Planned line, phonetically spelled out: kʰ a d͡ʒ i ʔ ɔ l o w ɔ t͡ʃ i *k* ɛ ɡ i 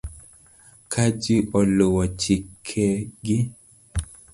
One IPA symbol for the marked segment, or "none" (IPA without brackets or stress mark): kʰ